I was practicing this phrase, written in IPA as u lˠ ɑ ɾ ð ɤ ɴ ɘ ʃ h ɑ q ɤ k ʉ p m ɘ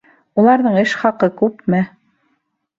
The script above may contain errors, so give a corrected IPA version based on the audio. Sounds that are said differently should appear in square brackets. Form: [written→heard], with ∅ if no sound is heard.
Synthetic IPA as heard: u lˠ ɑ ɾ ð ɤ ɴ ɘ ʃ [h→χ] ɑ q ɤ k ʉ p m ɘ